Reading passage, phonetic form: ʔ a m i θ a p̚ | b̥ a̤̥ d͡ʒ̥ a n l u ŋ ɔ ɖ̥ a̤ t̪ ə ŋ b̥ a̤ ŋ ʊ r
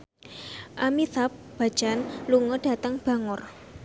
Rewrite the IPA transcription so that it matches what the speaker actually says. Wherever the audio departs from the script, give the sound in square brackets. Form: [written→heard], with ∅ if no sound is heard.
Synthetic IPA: ʔ a m i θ a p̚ | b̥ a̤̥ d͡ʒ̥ a n l u ŋ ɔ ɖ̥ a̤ t̪ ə ŋ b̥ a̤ ŋ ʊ r